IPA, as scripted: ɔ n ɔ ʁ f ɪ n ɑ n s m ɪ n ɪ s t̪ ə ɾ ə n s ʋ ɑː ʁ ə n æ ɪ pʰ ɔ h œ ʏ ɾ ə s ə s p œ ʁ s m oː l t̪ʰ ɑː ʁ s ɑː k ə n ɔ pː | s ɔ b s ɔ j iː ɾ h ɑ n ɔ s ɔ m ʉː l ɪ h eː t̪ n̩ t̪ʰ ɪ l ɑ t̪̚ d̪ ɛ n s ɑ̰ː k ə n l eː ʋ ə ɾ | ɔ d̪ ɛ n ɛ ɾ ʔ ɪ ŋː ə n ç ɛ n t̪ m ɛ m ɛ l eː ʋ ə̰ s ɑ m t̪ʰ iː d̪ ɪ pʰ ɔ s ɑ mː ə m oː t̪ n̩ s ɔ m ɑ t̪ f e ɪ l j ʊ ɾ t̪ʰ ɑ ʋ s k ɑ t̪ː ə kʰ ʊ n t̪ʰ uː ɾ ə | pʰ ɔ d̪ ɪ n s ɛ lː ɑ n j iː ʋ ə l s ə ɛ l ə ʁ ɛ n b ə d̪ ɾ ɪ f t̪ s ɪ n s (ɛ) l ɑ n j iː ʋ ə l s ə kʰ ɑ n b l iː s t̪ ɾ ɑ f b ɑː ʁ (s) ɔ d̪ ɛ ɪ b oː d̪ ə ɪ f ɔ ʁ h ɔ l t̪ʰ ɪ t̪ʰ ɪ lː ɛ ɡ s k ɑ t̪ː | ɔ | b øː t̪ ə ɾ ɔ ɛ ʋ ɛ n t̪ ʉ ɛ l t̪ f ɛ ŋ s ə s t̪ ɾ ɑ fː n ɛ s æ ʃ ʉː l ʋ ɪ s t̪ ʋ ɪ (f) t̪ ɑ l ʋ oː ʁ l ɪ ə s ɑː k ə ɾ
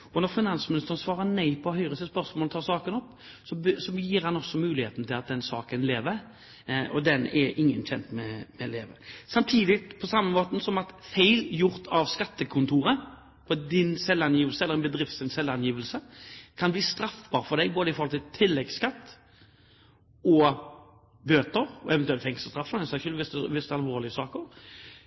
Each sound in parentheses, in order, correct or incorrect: correct, incorrect, incorrect

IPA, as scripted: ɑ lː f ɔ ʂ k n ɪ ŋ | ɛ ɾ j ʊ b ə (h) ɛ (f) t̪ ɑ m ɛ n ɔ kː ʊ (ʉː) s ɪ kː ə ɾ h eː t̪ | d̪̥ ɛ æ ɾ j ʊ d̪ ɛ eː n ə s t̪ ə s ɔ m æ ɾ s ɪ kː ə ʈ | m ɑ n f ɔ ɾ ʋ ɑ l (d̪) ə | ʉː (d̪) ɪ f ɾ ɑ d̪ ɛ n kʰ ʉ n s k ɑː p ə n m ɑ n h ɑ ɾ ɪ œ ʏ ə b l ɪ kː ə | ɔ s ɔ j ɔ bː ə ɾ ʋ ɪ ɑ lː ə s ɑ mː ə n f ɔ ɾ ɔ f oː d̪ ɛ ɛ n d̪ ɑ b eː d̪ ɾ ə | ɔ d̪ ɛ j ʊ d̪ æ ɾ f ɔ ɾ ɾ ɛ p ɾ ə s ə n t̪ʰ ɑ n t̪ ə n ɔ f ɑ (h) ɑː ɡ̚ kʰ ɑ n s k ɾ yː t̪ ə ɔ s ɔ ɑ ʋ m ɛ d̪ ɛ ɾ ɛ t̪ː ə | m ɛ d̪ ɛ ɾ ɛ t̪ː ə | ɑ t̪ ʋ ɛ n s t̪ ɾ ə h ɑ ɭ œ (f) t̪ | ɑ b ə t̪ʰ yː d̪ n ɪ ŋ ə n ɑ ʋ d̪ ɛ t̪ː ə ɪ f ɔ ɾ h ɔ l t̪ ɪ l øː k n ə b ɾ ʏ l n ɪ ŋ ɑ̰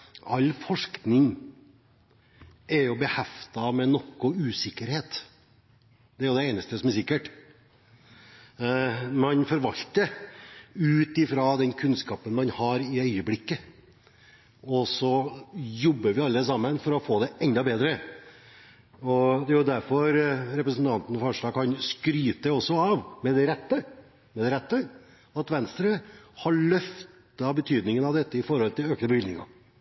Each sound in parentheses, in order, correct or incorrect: correct, correct, correct, incorrect, incorrect, incorrect, correct

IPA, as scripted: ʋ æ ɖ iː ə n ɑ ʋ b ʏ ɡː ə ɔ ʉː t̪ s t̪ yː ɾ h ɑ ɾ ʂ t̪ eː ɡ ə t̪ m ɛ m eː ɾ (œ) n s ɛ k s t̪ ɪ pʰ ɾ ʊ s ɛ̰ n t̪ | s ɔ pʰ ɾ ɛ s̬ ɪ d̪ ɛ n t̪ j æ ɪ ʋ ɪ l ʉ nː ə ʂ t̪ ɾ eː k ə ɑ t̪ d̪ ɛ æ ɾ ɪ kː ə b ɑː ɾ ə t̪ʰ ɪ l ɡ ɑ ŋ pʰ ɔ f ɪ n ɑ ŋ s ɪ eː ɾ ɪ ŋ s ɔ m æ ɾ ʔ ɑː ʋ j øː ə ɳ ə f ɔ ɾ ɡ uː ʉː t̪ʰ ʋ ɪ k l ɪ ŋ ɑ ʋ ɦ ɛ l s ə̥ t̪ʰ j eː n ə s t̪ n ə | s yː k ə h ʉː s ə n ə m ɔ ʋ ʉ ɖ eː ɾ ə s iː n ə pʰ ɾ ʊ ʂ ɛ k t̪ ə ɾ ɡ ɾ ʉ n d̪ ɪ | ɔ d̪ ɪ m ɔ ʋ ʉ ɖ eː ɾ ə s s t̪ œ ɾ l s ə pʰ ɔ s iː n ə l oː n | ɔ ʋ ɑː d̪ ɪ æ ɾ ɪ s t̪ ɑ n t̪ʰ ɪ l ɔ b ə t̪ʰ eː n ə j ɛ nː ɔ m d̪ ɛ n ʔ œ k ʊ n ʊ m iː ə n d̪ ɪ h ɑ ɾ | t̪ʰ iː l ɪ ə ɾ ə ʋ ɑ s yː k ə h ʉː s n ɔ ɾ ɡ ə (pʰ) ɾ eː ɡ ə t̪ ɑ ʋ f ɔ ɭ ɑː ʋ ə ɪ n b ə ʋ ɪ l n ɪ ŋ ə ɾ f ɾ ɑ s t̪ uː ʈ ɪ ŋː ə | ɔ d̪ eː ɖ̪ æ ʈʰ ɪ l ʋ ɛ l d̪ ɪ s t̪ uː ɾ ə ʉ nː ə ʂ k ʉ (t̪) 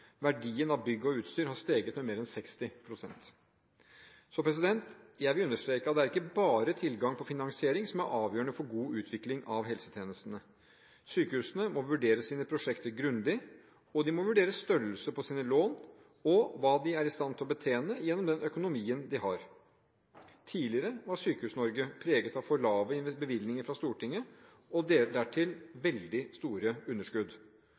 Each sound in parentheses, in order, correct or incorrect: incorrect, correct, incorrect

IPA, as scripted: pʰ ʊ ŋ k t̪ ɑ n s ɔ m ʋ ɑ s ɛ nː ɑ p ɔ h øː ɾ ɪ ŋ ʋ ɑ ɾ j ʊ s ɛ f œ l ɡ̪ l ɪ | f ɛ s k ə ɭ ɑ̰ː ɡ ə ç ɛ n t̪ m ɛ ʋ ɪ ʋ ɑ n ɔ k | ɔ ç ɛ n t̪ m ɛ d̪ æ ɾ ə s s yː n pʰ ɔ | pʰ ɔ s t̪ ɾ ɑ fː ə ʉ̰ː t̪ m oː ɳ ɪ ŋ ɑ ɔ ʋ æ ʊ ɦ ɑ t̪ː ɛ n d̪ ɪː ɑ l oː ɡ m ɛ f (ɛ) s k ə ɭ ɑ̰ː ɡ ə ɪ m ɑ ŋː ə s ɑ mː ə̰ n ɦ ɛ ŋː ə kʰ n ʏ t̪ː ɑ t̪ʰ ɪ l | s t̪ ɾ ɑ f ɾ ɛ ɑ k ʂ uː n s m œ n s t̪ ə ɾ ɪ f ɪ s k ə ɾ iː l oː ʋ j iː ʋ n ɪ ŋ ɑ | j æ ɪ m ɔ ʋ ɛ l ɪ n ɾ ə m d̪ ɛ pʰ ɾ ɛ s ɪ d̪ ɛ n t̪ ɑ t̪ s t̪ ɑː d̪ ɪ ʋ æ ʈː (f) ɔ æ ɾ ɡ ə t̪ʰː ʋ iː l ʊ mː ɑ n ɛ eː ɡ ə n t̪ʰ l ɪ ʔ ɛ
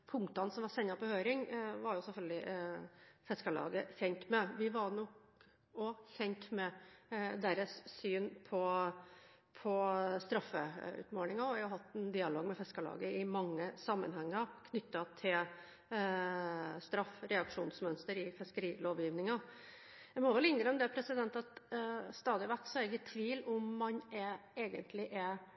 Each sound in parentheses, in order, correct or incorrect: correct, incorrect

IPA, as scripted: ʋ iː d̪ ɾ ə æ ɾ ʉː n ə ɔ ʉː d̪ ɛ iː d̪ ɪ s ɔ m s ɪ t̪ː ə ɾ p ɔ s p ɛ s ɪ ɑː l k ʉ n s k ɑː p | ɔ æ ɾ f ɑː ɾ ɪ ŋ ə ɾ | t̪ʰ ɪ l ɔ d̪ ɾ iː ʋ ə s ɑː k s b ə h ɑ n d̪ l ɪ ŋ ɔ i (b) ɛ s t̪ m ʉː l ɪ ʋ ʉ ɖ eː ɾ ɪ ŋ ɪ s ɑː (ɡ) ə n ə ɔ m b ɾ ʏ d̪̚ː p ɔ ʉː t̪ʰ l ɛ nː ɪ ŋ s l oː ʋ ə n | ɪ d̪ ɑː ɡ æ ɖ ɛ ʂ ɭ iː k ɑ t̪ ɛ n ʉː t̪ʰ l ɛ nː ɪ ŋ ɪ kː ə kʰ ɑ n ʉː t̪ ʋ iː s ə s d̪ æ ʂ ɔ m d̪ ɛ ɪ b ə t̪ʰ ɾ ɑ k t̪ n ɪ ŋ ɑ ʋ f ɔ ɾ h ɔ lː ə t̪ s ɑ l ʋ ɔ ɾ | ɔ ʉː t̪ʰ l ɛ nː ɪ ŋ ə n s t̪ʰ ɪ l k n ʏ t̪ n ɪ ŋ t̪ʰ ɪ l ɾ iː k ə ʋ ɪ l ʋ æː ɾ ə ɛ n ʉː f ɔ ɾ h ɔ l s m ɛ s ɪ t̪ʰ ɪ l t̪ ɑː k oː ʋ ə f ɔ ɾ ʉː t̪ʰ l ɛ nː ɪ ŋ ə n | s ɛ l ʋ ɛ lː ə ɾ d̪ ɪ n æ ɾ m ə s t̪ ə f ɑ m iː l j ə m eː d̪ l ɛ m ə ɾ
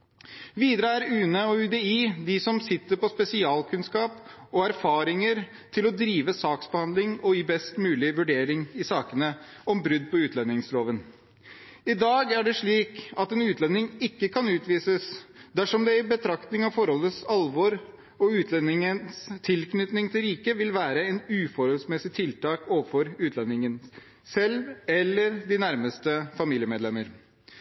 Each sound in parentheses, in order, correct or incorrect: correct, incorrect

